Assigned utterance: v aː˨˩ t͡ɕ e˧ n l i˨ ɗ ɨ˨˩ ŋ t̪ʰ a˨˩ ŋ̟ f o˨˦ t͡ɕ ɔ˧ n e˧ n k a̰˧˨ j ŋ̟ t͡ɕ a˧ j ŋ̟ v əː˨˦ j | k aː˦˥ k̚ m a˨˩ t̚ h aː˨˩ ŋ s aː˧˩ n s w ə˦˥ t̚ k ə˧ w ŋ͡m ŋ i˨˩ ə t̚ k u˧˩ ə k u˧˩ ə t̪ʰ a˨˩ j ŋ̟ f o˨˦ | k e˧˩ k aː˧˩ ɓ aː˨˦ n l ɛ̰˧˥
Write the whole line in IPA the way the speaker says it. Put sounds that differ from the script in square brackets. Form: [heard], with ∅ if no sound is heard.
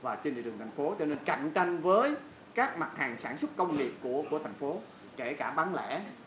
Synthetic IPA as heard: v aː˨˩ t͡ɕ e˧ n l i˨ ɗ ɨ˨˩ ŋ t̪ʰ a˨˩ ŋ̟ f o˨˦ t͡ɕ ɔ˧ n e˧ n k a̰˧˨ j ŋ̟ t͡ɕ a˧ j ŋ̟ v əː˨˦ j | k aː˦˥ k̚ m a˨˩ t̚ h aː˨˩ ŋ s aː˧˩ n s w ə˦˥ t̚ k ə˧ w ŋ͡m ŋ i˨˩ ə [p̚] k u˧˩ ə k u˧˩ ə t̪ʰ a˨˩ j ŋ̟ f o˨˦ | k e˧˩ k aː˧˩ ɓ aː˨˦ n l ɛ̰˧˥